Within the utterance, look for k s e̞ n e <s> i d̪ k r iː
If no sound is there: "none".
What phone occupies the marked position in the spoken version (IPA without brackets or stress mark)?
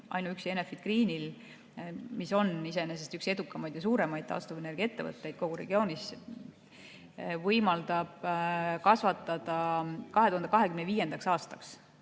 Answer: f